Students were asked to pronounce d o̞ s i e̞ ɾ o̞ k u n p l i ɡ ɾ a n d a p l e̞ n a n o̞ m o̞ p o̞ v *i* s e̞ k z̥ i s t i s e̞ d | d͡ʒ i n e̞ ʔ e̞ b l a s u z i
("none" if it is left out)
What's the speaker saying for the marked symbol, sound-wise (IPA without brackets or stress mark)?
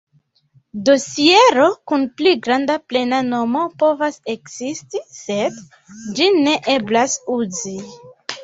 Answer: a